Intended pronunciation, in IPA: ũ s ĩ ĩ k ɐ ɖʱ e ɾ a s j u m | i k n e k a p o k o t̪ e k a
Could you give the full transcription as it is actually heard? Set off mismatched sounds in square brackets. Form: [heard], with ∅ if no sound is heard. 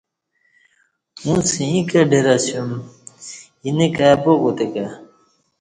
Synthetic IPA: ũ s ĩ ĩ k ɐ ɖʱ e ɾ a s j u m | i [∅] n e k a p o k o t̪ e k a